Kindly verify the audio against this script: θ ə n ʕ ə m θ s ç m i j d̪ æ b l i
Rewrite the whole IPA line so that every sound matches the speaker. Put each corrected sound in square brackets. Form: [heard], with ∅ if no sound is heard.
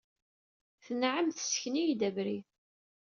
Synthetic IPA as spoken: θ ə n ʕ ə m θ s ç [n] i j d̪ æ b [ɾ] i